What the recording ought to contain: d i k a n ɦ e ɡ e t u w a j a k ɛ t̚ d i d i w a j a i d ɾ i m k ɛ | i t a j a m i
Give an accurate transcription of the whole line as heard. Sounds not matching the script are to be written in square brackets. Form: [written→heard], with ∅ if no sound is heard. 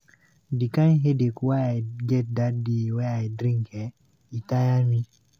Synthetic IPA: d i k a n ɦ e [ɡ→d] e [t→k] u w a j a [k→ɡ] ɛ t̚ d [i→a] d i w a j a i d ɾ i [m→ŋ] k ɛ | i t a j a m i

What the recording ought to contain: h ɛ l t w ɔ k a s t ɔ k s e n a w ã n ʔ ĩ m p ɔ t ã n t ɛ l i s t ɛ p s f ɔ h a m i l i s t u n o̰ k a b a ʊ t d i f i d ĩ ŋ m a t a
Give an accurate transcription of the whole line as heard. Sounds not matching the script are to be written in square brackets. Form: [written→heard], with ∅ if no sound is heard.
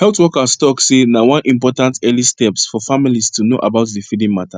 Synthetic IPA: h ɛ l t w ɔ k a s t ɔ k s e n a w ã n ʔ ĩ m p ɔ t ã n t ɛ l i s t ɛ p s f ɔ [h→f] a m i l i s t u n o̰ [k→ʔ] a b a ʊ t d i f i d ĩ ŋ m a t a

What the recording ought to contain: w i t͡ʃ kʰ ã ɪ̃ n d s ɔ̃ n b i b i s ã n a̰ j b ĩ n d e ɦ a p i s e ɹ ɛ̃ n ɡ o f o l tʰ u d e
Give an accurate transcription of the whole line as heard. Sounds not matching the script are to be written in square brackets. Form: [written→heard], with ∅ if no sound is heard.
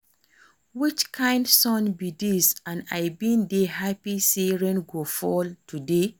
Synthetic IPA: w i t͡ʃ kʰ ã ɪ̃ n d s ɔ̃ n b i [b→d] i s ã n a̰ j b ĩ n d e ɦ a p i s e ɹ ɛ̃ n ɡ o f [o→ɔ] l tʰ u d e

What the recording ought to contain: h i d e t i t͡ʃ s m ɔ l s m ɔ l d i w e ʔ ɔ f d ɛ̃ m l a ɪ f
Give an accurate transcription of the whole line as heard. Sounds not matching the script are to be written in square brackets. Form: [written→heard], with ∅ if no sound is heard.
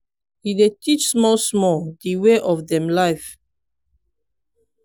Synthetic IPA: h i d e t i t͡ʃ s m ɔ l s m ɔ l d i w e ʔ ɔ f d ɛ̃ m l a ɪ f

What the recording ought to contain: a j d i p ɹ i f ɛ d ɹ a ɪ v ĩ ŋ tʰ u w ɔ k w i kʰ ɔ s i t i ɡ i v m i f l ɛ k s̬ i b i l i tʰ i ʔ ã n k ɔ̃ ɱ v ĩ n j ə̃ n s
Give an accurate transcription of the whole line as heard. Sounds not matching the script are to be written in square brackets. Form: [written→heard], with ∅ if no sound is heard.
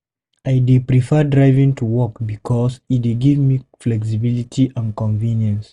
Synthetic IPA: a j d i p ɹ i f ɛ d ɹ a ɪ v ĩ ŋ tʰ u w ɔ k [w→b] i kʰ ɔ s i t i ɡ i v m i f l ɛ k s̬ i b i l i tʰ i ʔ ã n k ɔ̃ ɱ v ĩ n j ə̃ n s

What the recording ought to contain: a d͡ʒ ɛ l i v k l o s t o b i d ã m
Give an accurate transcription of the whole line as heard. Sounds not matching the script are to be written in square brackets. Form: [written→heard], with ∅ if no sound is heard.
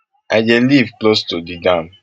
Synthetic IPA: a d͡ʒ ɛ l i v k l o s t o [b→d] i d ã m

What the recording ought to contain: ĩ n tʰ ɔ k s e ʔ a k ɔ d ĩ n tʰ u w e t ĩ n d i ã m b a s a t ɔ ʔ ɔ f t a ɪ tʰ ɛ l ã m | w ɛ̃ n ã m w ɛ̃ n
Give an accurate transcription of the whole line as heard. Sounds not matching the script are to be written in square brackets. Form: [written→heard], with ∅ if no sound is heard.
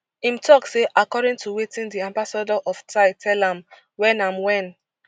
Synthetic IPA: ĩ [n→m] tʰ ɔ k s e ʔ a k ɔ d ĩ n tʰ u w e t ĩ n d i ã m b a s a [t→d] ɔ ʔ ɔ f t a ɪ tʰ ɛ l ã m | w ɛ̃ n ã m w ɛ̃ n

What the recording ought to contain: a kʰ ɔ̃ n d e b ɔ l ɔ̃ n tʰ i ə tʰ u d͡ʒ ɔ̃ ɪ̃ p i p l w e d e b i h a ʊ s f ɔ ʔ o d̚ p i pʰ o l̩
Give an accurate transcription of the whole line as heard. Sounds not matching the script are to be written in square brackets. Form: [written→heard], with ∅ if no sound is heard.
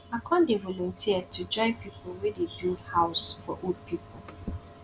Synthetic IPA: a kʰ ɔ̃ n d e [b→v] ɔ l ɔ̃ n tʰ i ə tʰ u d͡ʒ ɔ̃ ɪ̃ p i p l w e d e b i h a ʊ s f ɔ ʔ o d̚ p i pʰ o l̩

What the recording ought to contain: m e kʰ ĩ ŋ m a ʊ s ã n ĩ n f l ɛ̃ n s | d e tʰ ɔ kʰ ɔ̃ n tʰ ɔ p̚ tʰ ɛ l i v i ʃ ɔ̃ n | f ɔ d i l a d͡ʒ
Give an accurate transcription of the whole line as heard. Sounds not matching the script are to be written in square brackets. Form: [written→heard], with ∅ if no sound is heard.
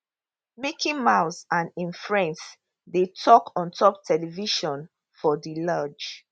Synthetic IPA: m e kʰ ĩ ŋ m a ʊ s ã n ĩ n f [l→ɹ] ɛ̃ n s | d e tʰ ɔ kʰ ɔ̃ n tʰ ɔ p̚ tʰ ɛ l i v i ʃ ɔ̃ n | f ɔ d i l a d͡ʒ

